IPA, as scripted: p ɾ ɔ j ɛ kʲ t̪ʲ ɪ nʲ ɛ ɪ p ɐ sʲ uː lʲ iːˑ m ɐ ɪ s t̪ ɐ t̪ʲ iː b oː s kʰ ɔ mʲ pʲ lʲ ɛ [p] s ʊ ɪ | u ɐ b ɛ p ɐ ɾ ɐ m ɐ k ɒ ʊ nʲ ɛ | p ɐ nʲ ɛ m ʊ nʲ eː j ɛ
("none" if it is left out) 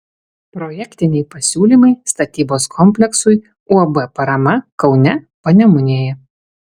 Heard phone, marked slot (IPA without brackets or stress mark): k